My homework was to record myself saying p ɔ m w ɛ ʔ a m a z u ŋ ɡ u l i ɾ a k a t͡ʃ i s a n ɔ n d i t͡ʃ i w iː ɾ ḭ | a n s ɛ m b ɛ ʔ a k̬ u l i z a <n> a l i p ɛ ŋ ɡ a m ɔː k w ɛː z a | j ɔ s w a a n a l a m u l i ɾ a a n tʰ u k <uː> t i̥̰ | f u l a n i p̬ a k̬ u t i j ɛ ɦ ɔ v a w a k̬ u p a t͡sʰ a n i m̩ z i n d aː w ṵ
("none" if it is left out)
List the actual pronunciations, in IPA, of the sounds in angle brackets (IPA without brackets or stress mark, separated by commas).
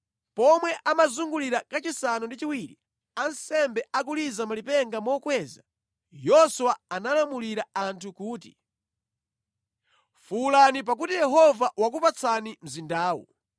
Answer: m, uː